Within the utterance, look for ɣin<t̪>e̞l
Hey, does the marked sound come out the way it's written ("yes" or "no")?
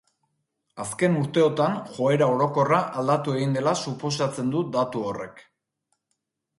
no